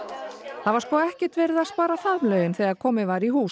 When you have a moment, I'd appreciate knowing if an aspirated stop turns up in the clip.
yes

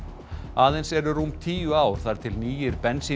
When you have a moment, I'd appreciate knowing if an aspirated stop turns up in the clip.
yes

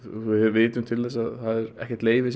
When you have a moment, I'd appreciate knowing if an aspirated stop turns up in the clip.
yes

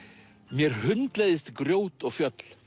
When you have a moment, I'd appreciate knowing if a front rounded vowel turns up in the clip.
yes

